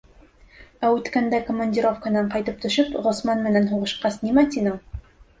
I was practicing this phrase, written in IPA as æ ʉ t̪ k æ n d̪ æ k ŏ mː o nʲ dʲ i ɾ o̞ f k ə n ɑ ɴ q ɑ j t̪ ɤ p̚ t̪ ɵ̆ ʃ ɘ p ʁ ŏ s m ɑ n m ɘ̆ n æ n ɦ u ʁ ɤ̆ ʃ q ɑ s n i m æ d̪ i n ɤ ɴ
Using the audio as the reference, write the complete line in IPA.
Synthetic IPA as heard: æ ʉ t̪ k æ n d̪ æ k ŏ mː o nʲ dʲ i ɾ o̞ f k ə n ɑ ɴ q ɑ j t̪ ɤ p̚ t̪ ɵ̆ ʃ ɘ p ʁ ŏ s m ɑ n m ɘ̆ n æ n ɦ u ʁ ɤ̆ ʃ q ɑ s n i m æ t̪ i n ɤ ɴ